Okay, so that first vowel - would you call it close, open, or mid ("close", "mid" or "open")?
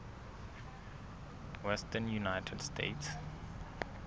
mid